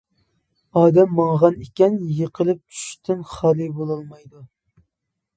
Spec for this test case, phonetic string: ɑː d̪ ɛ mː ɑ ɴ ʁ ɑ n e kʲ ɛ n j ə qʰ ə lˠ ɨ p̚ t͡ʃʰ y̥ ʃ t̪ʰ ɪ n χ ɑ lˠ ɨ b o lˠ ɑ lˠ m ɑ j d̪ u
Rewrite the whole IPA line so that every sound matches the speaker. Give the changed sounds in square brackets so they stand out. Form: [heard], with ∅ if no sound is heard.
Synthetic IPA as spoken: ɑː d̪ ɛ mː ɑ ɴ ʁ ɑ n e kʲ ɛ n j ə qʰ ə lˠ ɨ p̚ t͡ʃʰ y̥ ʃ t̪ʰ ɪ n χ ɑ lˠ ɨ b o lˠ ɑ lˠ m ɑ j d̪ u